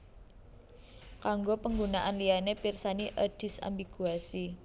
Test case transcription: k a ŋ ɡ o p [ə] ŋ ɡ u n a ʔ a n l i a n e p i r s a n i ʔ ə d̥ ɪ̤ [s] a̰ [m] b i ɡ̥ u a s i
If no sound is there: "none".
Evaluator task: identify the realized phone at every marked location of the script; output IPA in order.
ə, s, m

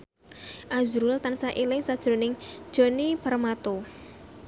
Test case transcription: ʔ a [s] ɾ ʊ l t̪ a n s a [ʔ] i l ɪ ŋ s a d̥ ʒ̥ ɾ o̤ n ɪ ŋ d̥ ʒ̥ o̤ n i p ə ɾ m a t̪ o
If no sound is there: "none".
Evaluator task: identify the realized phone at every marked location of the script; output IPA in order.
z, ʔ

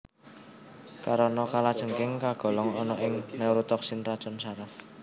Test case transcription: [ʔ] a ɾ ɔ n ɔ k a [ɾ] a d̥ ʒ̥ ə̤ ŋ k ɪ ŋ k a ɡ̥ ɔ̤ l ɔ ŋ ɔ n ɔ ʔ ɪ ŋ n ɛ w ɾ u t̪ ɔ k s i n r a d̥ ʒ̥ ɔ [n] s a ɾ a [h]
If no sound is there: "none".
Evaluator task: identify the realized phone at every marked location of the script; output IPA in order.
k, l, n, f

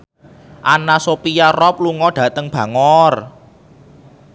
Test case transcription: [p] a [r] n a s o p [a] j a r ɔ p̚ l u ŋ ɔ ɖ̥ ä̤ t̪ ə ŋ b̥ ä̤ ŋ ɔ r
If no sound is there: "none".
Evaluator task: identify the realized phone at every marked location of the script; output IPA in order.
ʔ, none, i

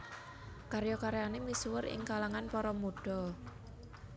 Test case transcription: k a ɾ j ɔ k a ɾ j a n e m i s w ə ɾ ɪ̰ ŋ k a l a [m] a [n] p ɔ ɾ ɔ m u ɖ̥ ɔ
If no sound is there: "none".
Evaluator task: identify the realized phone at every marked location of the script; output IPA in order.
ŋ, n

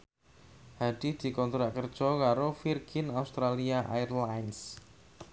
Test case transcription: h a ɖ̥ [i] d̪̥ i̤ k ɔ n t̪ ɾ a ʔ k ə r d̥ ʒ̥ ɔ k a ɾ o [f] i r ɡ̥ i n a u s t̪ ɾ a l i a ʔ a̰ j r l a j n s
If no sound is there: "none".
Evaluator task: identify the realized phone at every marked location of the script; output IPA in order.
i, f

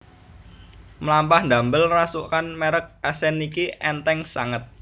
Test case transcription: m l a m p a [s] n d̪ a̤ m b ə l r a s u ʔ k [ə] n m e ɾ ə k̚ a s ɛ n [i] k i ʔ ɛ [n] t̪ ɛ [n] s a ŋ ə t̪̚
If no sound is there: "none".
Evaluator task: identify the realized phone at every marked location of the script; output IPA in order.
h, a, i, n, ŋ

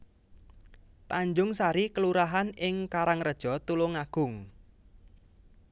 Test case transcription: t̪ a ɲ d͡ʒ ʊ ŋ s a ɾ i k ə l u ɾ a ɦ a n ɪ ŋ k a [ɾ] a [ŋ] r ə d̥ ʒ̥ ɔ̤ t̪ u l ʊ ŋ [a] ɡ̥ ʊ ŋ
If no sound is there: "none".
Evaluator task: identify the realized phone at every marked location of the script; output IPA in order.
ɾ, ŋ, a

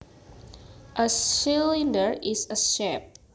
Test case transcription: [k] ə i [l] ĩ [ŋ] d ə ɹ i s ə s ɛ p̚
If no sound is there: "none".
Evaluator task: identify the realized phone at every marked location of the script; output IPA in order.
ʔ, l, n

